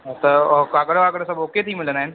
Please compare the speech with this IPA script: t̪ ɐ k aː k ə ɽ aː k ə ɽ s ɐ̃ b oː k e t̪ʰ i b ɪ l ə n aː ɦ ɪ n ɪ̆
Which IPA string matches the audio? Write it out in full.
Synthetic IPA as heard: t̪ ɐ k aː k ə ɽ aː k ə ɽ s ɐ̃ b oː k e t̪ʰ i m ɪ l ə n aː ɦ ɪ n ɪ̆